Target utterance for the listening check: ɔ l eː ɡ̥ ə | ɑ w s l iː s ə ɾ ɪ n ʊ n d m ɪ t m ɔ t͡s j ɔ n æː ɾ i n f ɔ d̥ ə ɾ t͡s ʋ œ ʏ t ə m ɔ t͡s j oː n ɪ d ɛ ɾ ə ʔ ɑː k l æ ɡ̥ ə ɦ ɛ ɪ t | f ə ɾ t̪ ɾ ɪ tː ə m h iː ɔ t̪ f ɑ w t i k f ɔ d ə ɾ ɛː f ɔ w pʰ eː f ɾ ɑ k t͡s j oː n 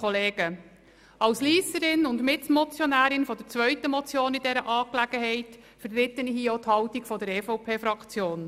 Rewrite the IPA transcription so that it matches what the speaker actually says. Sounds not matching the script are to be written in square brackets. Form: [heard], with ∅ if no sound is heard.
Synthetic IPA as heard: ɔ l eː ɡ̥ ə | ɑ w s l iː s ə ɾ ɪ n ʊ n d m ɪ t m ɔ t͡s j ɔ n æː ɾ [ɪ] n f ɔ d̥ ə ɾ t͡s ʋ œ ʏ t ə m ɔ t͡s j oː n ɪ d ɛ ɾ ə ʔ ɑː k l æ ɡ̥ ə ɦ ɛ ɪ t | f ə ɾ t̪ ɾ ɪ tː ə [n] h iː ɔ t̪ [h] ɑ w t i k f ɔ d ə ɾ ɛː f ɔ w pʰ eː f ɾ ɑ k t͡s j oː n

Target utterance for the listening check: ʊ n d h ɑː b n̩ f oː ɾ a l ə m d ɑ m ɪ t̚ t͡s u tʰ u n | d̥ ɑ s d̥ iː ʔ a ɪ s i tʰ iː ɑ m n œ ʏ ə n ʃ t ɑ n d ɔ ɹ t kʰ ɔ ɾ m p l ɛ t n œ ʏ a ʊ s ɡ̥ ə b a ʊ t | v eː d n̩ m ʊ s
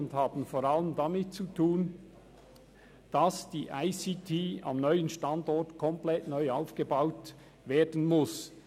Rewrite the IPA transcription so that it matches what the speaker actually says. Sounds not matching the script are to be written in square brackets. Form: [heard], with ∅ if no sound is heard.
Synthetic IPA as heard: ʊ n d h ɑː b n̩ f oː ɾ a l ə m d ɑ m ɪ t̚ t͡s u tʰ [uː] n | d̥ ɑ s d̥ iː ʔ a ɪ s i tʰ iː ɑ m n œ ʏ ə n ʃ t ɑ n d ɔ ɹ t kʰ ɔ [∅] m p l ɛ t n œ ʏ a ʊ [f] ɡ̥ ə b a ʊ t | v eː d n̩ m ʊ s

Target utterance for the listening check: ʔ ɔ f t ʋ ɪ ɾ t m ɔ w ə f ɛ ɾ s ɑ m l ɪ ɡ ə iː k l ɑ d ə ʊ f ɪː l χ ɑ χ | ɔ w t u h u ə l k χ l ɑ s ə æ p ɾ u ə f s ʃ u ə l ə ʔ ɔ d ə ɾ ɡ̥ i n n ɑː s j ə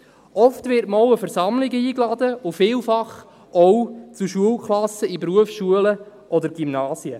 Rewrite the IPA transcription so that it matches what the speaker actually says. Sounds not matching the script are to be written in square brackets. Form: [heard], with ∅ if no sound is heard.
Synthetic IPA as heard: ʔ ɔ f t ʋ ɪ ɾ t m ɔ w ə f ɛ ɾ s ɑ m l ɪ ɡ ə iː k l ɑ d ə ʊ f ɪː l [f] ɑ χ | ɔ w [t͡s] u [ʃ] u ə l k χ l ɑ s ə [i] p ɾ u ə f s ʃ u ə l ə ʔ ɔ d ə ɾ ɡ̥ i [m] n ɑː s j ə

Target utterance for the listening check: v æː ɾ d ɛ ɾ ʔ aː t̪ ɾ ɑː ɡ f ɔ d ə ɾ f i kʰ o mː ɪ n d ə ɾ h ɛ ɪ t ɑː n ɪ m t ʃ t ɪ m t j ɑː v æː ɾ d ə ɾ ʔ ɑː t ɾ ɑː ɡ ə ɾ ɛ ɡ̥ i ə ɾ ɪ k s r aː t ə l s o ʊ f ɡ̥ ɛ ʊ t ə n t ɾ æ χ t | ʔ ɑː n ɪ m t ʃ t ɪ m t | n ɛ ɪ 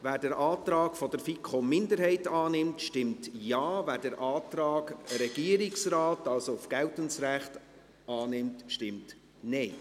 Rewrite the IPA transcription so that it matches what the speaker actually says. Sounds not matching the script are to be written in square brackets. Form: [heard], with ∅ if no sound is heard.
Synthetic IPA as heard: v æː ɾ d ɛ ɾ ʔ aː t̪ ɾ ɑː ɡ f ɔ d ə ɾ f i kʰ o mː ɪ n d ə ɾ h ɛ ɪ t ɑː n ɪ m t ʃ t ɪ m t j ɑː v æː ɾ d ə ɾ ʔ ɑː t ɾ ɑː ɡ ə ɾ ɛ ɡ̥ i ə ɾ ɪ k s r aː t [ɑ] l s o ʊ f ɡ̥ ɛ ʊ t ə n [s] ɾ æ χ t | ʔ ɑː n ɪ m t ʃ t ɪ m t | n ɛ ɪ

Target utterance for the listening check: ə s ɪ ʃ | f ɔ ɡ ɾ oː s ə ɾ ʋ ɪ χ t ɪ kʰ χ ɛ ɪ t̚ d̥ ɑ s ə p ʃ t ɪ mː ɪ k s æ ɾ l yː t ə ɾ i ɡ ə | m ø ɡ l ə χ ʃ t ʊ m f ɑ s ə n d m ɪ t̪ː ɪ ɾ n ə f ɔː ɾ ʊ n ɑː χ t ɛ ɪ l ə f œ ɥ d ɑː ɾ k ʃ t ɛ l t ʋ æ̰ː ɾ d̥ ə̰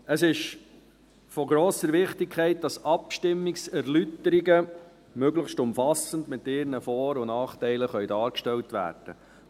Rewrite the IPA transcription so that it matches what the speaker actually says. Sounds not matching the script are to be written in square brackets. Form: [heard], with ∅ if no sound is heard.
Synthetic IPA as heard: ə s ɪ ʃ | f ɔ ɡ ɾ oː s ə ɾ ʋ ɪ χ t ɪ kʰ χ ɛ ɪ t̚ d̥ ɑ s [ɑ] p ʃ t ɪ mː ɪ k s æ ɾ l [y] t ə ɾ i ɡ ə | m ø ɡ l ə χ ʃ t ʊ m f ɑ s ə n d m ɪ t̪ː ɪ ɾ n ə f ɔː ɾ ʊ n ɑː χ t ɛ ɪ l ə [χ] œ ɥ d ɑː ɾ k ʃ t ɛ l t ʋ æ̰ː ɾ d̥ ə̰

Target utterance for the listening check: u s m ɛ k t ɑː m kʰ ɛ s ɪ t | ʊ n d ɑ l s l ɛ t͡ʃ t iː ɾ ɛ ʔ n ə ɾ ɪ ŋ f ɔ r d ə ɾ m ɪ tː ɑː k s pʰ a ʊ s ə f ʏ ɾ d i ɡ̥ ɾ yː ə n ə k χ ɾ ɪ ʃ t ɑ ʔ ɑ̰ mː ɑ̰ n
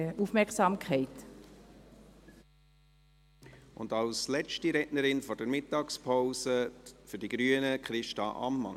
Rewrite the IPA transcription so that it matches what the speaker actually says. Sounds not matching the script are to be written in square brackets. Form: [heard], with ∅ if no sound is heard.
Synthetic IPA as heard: u [f] m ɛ k [s] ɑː m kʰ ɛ [∅] ɪ t | ʊ n d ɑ l s l ɛ t͡ʃ t [i] ɾ ɛ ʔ n ə ɾ ɪ [n] f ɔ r d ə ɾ m ɪ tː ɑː k s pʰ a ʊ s ə f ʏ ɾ d i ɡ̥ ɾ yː ə n ə k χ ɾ ɪ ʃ t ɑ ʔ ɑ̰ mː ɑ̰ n

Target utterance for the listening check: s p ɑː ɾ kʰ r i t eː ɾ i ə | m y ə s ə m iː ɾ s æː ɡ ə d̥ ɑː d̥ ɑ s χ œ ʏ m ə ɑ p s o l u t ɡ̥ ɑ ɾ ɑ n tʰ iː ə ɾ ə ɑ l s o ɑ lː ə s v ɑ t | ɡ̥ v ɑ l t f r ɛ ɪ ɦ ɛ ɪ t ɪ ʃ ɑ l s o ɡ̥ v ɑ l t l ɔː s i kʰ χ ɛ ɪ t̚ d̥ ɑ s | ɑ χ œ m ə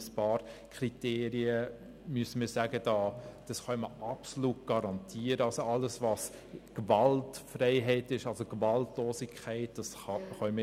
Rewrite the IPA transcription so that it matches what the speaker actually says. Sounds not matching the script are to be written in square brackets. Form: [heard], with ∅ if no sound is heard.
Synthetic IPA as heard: s p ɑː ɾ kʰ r i t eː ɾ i ə | m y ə s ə m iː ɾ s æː ɡ ə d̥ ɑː d̥ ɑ s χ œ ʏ m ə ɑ p s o l u t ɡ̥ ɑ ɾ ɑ n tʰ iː ə ɾ ə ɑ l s o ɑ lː ə s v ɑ [s] | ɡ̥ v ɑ l t f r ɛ ɪ ɦ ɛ ɪ t ɪ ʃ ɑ l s o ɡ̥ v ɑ l t l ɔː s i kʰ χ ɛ ɪ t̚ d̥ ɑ s | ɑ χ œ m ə

